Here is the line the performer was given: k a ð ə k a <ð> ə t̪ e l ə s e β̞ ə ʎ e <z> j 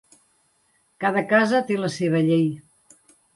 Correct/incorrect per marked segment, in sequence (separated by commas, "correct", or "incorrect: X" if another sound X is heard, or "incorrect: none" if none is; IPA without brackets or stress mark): incorrect: z, incorrect: none